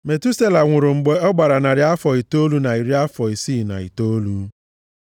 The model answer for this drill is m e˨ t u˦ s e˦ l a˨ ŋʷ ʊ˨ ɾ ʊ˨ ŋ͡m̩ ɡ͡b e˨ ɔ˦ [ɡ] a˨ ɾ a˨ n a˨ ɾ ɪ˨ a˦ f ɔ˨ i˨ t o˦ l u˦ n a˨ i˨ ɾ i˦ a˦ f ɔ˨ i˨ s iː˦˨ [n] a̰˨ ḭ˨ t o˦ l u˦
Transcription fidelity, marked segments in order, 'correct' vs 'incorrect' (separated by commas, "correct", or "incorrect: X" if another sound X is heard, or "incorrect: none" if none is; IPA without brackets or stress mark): incorrect: ɡ͡b, correct